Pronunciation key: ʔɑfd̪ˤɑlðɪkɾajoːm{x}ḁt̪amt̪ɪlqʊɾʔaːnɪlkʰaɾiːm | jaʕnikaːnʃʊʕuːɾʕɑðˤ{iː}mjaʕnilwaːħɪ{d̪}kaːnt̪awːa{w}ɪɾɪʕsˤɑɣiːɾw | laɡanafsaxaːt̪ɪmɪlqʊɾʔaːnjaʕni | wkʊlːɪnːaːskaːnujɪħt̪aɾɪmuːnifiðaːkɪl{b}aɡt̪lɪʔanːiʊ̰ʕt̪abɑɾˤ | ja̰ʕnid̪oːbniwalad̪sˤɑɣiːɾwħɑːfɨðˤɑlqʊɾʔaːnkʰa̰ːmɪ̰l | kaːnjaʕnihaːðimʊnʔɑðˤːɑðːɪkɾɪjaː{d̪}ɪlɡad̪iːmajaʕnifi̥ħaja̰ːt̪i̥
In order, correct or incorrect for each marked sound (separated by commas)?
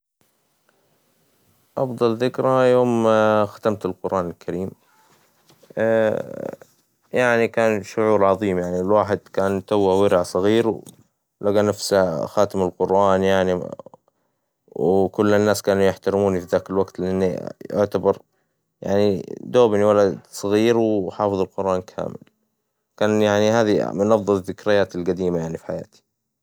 correct, correct, correct, correct, incorrect, incorrect